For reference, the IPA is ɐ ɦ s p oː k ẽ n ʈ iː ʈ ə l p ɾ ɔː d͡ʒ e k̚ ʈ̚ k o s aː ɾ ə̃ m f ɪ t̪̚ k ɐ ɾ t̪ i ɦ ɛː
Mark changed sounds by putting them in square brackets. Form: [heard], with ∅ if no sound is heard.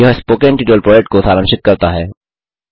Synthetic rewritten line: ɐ ɦ s p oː k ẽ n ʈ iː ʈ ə l p ɾ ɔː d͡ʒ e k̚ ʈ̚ k o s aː ɾ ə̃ m [ʃ] ɪ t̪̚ k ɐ ɾ t̪ [a] ɦ ɛː